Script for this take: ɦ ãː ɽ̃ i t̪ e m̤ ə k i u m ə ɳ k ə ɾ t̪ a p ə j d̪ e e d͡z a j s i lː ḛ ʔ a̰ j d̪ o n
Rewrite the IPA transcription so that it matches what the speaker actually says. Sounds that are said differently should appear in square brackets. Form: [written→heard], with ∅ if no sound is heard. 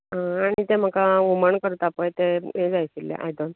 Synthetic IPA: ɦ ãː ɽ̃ i t̪ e m̤ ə k [i→a] u m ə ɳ k ə ɾ t̪ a p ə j [d̪→t̪] e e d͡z a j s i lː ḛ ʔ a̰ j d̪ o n